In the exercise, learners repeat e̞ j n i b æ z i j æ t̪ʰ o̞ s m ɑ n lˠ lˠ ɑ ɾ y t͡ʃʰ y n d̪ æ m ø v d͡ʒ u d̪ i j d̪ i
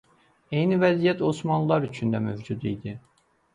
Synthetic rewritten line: e̞ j n i v æ z i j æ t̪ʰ o̞ s m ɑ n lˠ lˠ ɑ ɾ y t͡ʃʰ y n d̪ æ m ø v d͡ʒ u d̪ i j d̪ i